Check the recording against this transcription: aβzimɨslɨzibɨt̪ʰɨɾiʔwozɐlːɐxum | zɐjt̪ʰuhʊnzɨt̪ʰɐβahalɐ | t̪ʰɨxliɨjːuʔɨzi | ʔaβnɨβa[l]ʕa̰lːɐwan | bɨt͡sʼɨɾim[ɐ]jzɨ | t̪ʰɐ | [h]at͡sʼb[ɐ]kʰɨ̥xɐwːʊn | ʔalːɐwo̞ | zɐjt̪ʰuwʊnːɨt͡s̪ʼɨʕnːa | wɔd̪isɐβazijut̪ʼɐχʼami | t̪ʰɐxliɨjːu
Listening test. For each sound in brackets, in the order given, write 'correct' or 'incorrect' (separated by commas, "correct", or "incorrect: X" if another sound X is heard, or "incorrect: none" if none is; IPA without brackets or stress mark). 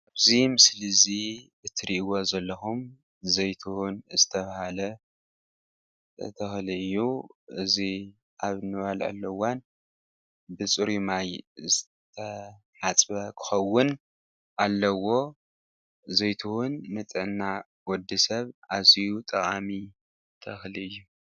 correct, incorrect: a, incorrect: ħ, correct